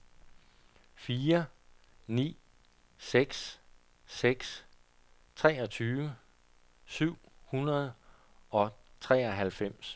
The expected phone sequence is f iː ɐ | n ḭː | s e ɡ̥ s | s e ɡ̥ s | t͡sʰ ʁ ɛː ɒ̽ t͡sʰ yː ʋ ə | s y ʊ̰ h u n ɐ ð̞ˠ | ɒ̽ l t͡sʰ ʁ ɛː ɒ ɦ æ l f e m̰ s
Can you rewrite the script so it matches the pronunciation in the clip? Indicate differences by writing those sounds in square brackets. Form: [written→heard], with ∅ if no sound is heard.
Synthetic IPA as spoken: f iː ɐ | n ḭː | s e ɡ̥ s | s e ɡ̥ s | t͡sʰ ʁ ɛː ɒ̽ t͡sʰ yː ʋ ə | s y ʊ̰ h u n ɐ ð̞ˠ | ɒ̽ [l→∅] t͡sʰ ʁ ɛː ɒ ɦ æ l f e m̰ s